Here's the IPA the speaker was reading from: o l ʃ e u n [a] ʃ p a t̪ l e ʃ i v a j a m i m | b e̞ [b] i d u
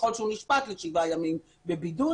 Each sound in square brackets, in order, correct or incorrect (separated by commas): incorrect, correct